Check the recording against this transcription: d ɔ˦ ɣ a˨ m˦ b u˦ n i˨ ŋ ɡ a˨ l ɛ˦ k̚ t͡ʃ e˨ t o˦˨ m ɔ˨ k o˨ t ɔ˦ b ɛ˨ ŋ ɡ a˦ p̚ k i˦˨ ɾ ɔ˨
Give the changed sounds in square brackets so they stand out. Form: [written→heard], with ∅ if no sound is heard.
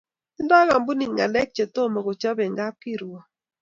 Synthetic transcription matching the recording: d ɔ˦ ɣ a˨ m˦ b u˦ n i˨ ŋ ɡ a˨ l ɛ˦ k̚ t͡ʃ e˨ t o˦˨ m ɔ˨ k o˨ [t→t͡ʃ] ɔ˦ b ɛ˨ ŋ ɡ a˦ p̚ k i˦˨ ɾ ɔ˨